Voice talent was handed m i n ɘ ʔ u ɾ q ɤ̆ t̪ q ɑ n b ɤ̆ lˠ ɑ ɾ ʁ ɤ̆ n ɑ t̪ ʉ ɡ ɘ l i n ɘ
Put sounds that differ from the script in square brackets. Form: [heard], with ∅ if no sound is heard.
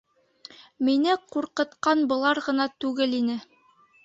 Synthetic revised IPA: m i n ɘ [q] u ɾ q ɤ̆ t̪ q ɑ n b ɤ̆ lˠ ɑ ɾ ʁ ɤ̆ n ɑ t̪ ʉ ɡ ɘ l i n ɘ

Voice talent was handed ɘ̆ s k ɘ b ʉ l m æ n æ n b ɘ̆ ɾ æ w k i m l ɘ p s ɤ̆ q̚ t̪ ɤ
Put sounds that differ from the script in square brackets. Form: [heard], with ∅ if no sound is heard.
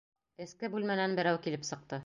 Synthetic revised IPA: ɘ̆ s k ɘ b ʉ l m æ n æ n b ɘ̆ ɾ æ w k i [∅] l ɘ p s ɤ̆ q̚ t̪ ɤ

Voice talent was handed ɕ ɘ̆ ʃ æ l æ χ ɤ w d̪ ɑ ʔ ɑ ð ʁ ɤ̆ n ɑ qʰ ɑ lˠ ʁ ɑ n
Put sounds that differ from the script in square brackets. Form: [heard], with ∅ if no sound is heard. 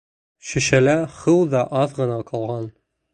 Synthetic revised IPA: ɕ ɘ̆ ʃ æ l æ χ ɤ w d̪ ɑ ʔ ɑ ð ʁ ɤ̆ n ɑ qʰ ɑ lˠ ʁ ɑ n

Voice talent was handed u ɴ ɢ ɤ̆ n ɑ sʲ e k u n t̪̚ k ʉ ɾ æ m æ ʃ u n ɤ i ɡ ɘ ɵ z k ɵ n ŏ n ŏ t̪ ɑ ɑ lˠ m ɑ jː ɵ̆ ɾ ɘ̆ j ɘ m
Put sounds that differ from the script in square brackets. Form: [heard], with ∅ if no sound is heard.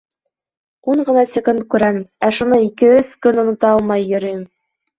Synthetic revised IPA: u ɴ ɢ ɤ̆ n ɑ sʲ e k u n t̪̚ k ʉ ɾ æ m æ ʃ u n ɤ i [k] ɘ ɵ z k ɵ n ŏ n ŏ t̪ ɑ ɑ lˠ m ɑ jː ɵ̆ ɾ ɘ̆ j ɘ m

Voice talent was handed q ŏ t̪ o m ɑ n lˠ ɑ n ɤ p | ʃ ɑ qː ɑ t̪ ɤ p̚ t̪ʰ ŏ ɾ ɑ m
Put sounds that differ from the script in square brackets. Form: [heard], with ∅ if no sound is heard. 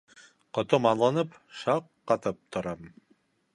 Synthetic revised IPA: q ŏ t̪ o m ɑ n lˠ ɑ n ɤ p | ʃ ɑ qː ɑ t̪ ɤ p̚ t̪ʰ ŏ ɾ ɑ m

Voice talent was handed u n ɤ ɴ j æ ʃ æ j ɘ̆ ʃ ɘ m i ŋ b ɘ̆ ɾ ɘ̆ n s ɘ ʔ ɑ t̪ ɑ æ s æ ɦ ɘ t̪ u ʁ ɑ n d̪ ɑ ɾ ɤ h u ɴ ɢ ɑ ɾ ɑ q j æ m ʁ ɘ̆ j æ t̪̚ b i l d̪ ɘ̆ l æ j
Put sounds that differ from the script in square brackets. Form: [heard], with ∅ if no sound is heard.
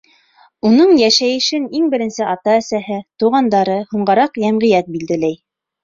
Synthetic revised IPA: u n ɤ ɴ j æ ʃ æ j ɘ̆ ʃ ɘ [n] i ŋ b ɘ̆ ɾ ɘ̆ n s ɘ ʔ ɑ t̪ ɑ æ s æ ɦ ɘ t̪ u ʁ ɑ n d̪ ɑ ɾ ɤ h u ɴ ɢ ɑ ɾ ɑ q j æ m ʁ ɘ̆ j æ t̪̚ b i l d̪ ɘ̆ l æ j

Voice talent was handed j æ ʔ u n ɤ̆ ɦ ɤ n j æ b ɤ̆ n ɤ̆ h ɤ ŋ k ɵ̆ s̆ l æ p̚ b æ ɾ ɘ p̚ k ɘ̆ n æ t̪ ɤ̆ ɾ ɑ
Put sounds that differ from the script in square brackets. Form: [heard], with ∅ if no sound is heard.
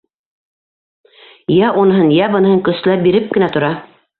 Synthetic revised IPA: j æ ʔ u n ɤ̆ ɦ ɤ n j æ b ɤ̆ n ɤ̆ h ɤ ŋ k ɵ̆ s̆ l æ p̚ b [i] ɾ ɘ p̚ k ɘ̆ n æ t̪ [ŏ] ɾ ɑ

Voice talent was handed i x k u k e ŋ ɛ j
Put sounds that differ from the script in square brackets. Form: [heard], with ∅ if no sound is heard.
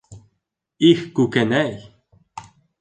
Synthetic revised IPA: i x k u k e [n] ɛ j

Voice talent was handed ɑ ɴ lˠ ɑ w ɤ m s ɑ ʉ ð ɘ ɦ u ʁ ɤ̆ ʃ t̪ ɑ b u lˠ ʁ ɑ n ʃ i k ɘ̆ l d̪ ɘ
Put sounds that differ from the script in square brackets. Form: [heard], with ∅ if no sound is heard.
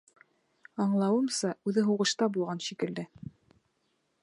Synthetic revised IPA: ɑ ɴ lˠ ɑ w ɤ m s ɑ ʉ ð ɘ ɦ u ʁ ɤ̆ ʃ t̪ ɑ b u lˠ ʁ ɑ n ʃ i k ɘ̆ l d̪ ɘ

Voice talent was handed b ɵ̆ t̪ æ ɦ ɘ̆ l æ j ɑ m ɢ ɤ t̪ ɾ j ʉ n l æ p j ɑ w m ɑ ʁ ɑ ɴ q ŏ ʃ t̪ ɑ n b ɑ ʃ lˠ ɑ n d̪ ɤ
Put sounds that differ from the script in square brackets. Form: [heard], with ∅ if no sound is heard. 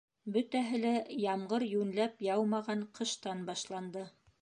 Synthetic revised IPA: b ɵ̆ t̪ æ ɦ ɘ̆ l æ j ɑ m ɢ ɤ [∅] ɾ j ʉ n l æ p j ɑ w m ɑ ʁ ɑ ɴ q [ɤ̆] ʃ t̪ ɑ n b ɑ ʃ lˠ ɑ n d̪ ɤ

